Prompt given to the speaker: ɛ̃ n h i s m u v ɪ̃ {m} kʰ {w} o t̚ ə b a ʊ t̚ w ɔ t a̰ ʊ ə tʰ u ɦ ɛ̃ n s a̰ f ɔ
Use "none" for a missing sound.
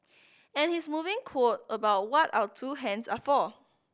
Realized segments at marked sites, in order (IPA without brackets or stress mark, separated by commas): ŋ, w